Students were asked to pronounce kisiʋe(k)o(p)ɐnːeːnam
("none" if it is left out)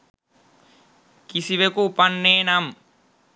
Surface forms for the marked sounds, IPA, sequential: k, p

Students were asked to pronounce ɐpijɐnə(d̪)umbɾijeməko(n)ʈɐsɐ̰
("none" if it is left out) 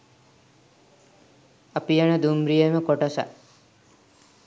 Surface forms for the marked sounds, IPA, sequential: d̪, none

